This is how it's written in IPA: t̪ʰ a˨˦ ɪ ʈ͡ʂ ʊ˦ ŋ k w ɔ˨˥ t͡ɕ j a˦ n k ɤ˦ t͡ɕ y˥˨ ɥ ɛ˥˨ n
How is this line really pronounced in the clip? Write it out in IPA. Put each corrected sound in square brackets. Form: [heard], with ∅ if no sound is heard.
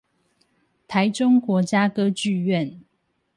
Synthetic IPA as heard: t̪ʰ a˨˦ ɪ ʈ͡ʂ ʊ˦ ŋ k w ɔ˨˥ t͡ɕ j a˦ [∅] k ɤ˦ t͡ɕ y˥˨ ɥ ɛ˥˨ n

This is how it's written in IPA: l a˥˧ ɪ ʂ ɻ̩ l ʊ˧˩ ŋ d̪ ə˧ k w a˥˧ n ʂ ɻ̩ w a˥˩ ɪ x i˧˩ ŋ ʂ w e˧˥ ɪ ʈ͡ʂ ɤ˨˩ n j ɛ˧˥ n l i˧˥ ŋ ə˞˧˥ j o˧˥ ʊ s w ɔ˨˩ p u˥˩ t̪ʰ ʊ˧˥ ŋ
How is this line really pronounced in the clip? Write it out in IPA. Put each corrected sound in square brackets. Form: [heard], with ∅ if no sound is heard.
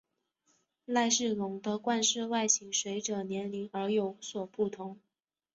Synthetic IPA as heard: l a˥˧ ɪ ʂ ɻ̩ l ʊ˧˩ ŋ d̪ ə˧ k w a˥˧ n ʂ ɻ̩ w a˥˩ ɪ [ɕ] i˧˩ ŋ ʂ w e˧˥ ɪ ʈ͡ʂ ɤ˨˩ n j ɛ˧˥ n l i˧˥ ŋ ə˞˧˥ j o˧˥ ʊ s w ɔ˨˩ p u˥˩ t̪ʰ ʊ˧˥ ŋ

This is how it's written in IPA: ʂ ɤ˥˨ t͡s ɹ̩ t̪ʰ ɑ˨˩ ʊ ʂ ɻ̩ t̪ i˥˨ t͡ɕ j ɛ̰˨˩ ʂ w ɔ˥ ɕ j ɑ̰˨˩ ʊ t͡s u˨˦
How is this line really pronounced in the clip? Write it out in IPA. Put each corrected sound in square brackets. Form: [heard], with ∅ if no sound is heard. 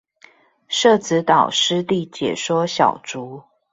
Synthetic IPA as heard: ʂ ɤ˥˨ t͡s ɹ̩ [t̪] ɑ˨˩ ʊ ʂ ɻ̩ t̪ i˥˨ t͡ɕ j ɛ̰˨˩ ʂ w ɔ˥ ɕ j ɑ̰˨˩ ʊ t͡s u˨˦

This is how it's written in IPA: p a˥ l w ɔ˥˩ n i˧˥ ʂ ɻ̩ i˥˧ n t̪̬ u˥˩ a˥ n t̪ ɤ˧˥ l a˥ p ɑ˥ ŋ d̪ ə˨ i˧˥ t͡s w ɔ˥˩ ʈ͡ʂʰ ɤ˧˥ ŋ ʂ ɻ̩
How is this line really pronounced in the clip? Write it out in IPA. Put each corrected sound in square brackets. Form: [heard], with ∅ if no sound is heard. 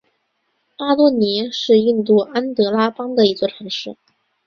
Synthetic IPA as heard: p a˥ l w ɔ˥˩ n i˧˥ ʂ ɻ̩ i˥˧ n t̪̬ u˥˩ a˥ n t̪ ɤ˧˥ l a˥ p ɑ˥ ŋ d̪ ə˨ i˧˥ t͡s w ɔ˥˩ ʈ͡ʂʰ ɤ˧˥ ŋ ʂ ɻ̩

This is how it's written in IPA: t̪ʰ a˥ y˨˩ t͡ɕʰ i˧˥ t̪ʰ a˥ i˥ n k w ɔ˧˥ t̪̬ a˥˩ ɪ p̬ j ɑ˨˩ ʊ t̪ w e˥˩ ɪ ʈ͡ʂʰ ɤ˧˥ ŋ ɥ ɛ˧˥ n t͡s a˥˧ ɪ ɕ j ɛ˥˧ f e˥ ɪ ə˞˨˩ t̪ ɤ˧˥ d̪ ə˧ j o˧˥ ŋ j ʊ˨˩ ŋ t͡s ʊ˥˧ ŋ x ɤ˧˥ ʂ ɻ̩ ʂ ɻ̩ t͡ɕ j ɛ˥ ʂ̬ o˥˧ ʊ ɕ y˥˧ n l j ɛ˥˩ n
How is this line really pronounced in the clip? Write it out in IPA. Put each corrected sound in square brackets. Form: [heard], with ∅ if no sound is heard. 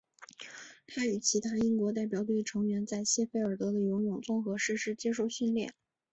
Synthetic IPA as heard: t̪ʰ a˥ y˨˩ t͡ɕʰ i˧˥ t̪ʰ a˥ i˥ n k w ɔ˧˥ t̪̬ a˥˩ ɪ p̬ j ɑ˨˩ ʊ t̪ w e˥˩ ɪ ʈ͡ʂʰ ɤ˧˥ ŋ ɥ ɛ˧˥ n t͡s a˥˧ ɪ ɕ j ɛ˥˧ f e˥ ɪ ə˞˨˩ t̪ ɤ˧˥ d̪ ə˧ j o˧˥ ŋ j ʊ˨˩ ŋ t͡s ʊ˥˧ ŋ x ɤ˧˥ ʂ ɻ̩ ʂ ɻ̩ t͡ɕ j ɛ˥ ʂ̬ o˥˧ ʊ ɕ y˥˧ n l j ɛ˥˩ n

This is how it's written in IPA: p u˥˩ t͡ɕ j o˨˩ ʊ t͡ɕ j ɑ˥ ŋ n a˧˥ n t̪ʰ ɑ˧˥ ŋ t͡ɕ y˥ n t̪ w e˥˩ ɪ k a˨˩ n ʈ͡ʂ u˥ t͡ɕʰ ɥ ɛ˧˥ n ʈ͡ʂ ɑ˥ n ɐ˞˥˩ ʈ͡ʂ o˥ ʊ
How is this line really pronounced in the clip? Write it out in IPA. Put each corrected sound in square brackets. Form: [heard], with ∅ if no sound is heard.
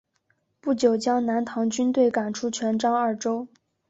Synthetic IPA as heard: p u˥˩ t͡ɕ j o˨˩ ʊ t͡ɕ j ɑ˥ ŋ n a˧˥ n t̪ʰ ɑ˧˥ ŋ t͡ɕ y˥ n t̪ w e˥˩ ɪ k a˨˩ n [ʈ͡ʂʰ] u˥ t͡ɕʰ ɥ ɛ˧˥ n ʈ͡ʂ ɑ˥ [ŋ] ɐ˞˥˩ ʈ͡ʂ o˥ ʊ

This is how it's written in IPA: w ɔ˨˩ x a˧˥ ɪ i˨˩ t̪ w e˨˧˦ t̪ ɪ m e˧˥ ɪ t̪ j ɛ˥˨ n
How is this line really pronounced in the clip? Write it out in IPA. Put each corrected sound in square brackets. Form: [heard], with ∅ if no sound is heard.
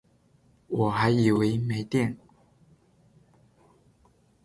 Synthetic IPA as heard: w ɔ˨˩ x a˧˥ ɪ i˨˩ [∅] w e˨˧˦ [∅] ɪ m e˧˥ ɪ t̪ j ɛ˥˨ n

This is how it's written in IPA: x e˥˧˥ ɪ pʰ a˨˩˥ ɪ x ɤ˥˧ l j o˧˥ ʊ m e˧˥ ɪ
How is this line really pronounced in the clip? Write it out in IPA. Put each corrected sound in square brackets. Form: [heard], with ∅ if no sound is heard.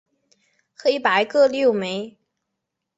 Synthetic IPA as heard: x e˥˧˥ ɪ [p] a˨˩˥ ɪ [k] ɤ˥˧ l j [o˥˩] ʊ m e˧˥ ɪ

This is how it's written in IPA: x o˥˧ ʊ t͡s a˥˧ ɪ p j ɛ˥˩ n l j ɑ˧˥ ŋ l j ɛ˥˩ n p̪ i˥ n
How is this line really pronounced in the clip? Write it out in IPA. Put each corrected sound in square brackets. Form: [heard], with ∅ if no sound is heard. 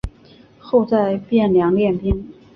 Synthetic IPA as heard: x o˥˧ ʊ t͡s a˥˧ ɪ p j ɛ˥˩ n l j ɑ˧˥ ŋ l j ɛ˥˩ n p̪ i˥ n

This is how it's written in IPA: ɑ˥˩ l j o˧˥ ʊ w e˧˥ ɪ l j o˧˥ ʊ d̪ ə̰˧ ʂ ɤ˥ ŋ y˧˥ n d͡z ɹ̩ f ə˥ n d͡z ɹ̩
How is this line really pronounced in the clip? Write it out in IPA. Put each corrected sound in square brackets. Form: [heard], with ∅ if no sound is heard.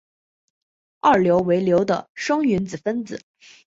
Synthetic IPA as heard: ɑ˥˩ l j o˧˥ ʊ w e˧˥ ɪ l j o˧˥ ʊ d̪ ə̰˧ ʂ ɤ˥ ŋ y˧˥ n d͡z ɹ̩ f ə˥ n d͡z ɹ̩

